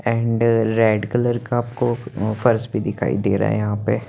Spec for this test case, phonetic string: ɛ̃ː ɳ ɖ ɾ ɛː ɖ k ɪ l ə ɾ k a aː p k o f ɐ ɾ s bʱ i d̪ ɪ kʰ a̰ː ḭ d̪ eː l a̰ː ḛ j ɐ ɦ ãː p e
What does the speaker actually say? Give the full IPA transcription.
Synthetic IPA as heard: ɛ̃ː ɳ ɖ ɾ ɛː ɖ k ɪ l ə ɾ k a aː p k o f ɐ ɾ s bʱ i d̪ ɪ kʰ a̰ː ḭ d̪ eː ɾ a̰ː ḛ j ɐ ɦ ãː p e